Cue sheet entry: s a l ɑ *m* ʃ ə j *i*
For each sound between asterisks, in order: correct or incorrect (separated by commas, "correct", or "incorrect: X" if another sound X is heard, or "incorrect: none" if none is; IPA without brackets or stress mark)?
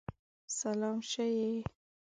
correct, incorrect: e